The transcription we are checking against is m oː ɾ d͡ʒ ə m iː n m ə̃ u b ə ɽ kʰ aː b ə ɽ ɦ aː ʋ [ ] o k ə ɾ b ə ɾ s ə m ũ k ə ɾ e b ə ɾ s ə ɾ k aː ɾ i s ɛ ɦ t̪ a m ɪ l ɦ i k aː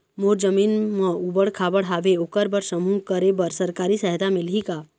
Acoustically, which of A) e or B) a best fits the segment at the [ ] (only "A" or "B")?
A